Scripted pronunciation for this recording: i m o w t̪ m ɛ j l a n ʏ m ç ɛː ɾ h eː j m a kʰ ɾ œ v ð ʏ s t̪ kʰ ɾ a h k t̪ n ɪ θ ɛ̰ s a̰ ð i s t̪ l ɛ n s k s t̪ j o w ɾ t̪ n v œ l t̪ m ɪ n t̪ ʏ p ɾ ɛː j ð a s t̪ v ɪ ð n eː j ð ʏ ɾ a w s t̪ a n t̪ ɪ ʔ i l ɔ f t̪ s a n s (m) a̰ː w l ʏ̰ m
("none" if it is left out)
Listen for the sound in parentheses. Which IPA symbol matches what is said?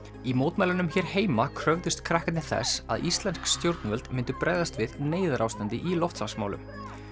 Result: m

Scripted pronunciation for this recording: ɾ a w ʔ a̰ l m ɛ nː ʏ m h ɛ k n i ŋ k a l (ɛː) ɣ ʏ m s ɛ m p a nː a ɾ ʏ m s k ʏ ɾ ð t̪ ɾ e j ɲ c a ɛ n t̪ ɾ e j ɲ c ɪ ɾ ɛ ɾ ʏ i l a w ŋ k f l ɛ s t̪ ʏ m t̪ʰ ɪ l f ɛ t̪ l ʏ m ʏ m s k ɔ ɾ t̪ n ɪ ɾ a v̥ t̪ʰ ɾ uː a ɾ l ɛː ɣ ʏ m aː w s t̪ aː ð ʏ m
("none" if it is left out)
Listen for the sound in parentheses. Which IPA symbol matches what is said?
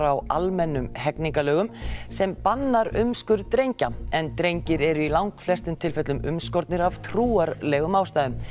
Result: œː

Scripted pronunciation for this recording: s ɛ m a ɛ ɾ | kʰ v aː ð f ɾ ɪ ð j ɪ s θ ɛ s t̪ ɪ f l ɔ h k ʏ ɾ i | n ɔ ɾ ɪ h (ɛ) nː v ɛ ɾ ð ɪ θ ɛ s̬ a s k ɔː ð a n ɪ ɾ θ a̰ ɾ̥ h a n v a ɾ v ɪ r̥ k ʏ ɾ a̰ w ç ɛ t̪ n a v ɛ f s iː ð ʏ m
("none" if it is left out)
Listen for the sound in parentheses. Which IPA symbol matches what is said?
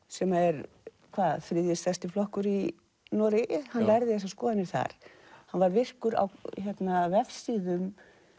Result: a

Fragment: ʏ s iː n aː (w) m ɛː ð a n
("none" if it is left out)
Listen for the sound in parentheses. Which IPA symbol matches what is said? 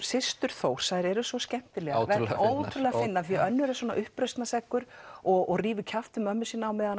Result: w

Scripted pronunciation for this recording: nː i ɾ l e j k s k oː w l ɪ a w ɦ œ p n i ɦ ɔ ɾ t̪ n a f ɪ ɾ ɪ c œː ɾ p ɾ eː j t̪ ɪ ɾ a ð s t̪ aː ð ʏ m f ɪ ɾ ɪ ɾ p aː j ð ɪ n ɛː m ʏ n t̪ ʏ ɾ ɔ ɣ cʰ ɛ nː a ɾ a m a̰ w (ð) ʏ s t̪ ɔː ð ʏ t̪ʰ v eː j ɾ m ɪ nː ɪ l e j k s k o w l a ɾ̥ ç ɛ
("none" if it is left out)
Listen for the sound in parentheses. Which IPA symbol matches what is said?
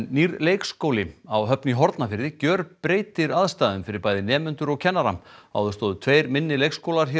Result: ð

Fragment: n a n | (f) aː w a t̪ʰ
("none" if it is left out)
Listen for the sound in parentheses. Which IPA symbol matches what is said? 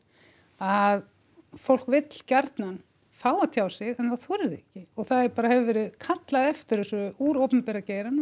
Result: f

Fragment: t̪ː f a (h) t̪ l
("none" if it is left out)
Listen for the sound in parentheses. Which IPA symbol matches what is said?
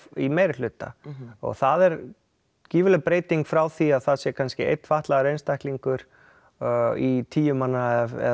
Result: h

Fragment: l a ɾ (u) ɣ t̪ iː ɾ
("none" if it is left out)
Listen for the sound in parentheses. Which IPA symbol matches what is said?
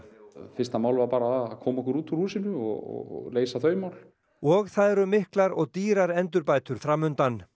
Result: ɔ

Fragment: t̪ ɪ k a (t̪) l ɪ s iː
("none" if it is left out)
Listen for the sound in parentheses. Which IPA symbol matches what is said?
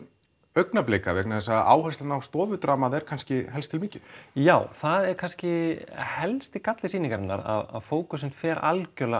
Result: t̪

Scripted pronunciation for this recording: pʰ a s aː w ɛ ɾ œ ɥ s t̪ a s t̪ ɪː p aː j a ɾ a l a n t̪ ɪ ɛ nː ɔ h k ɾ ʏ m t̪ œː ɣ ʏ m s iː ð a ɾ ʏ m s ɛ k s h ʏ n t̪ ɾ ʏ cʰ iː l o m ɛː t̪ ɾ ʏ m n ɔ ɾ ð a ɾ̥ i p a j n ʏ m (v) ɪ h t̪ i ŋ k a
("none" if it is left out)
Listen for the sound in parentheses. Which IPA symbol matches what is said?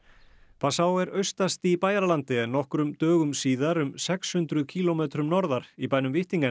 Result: v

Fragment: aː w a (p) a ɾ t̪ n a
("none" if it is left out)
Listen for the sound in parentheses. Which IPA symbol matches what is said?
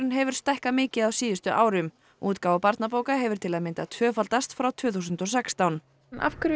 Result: p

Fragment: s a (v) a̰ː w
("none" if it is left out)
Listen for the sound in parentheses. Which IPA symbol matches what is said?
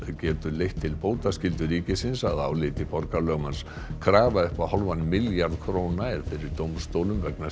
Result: ð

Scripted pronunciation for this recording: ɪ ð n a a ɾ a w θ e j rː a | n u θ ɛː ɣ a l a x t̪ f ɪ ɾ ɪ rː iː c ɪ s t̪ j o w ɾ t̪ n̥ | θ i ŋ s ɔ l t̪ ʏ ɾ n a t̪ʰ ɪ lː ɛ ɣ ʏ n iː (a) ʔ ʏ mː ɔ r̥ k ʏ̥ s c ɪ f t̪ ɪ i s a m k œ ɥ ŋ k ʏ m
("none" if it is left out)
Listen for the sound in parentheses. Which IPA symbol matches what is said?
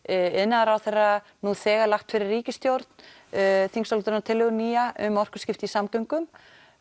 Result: a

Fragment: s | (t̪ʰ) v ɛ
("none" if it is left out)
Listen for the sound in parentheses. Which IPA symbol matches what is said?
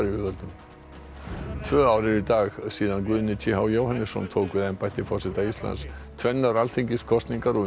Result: t̪ʰ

